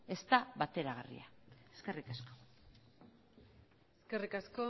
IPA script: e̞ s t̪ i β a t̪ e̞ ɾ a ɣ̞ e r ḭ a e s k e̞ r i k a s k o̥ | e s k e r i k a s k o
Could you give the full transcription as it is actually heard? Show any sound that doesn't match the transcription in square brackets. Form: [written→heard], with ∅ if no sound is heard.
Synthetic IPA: e̞ s t̪ [i→a] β a t̪ e̞ ɾ a ɣ̞ [e→a] r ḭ a e s k e̞ r i k a s k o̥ | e s k e r i k a s k o